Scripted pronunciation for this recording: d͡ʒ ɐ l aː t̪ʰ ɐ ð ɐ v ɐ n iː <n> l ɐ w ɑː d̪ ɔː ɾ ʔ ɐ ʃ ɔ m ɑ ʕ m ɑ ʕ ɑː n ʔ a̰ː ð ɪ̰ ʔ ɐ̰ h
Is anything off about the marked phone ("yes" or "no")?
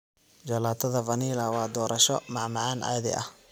yes